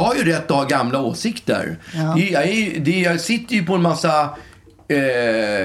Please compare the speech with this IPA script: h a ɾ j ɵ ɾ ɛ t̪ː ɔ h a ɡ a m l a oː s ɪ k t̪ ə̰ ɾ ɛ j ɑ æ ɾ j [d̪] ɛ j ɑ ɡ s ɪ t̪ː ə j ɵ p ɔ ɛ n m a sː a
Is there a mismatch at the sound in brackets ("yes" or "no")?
no